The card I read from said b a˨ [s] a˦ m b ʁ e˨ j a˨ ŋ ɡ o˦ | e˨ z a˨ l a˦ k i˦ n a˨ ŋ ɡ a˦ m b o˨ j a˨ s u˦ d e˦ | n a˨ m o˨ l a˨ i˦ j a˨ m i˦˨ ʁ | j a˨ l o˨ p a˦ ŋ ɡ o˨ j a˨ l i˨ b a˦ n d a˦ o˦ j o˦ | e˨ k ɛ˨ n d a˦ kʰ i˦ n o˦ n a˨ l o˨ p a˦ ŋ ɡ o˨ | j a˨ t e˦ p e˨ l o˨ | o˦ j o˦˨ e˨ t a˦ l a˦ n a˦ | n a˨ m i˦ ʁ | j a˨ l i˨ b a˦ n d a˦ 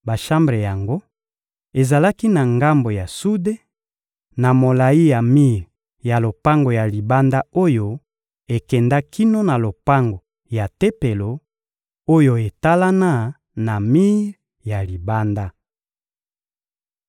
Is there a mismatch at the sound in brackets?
yes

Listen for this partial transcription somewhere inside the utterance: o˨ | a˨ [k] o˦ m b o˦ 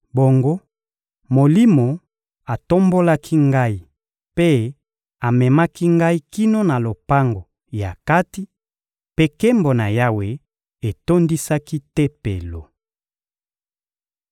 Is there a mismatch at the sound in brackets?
yes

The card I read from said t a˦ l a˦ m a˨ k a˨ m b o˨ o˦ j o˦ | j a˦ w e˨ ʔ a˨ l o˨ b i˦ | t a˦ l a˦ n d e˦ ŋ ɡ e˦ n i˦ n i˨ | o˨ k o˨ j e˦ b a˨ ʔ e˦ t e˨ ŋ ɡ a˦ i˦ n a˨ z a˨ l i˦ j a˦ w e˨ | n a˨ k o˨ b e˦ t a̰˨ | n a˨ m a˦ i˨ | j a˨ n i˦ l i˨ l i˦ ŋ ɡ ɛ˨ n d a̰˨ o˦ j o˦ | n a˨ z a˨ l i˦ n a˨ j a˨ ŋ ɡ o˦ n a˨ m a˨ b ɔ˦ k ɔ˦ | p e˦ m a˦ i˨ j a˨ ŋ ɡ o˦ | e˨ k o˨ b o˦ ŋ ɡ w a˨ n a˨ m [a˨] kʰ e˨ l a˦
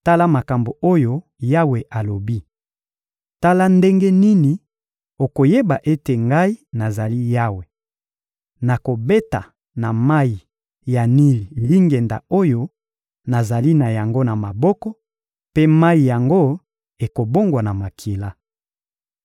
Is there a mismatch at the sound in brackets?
no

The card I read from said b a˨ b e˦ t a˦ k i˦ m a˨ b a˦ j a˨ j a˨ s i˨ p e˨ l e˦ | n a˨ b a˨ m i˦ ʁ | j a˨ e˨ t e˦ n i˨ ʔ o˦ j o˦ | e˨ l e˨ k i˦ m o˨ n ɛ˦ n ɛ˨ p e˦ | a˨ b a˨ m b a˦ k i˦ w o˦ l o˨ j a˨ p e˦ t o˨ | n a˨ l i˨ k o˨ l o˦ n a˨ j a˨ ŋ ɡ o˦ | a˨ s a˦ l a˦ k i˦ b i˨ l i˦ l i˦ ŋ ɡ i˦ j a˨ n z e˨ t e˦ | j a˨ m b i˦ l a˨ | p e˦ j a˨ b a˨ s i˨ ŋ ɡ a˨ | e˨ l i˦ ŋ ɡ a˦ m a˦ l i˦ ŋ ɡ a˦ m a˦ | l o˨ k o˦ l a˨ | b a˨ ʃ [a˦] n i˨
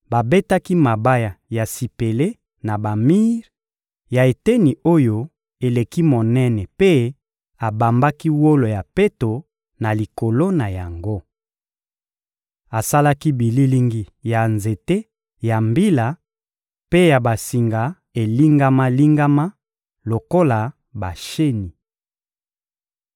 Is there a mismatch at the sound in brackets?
yes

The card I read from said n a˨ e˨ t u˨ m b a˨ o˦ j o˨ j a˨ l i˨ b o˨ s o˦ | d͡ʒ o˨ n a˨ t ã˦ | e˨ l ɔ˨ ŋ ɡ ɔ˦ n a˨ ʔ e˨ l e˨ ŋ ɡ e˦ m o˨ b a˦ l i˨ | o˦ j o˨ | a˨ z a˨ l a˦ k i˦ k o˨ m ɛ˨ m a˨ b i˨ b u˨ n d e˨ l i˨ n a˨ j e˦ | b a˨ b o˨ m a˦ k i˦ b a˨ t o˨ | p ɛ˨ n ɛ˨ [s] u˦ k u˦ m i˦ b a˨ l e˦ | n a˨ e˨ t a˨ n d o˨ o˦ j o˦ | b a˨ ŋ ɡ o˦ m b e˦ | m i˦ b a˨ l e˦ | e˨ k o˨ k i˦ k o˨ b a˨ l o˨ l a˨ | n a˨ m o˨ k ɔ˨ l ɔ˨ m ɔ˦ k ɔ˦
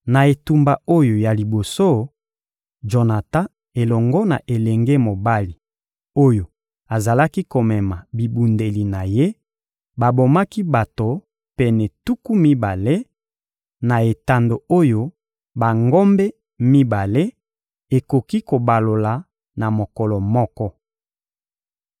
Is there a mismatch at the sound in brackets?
yes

